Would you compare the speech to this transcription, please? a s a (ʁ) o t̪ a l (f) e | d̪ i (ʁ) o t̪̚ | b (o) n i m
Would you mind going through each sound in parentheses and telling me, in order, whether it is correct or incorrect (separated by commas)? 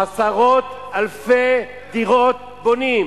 correct, correct, correct, correct